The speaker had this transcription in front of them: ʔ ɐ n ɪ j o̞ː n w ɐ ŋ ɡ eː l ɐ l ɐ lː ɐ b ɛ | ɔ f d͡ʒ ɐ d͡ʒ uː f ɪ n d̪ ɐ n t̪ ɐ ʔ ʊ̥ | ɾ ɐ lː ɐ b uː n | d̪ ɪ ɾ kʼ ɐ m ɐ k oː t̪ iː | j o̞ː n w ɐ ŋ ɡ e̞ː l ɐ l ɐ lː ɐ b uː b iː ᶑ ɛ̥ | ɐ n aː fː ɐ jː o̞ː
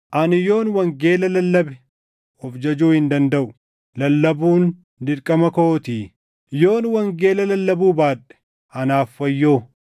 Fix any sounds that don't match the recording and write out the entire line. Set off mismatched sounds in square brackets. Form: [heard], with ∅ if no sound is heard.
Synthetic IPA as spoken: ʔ ɐ n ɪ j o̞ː n w ɐ ŋ ɡ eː l ɐ l ɐ lː ɐ b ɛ | ɔ f d͡ʒ ɐ d͡ʒ uː [h] ɪ n d̪ ɐ n [d̪] ɐ ʔ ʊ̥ | [l] ɐ lː ɐ b uː n | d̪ ɪ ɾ kʼ ɐ m ɐ k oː t̪ iː | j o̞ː n w ɐ ŋ ɡ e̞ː l ɐ l ɐ lː ɐ b uː b [aː] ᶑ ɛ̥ | ɐ n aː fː ɐ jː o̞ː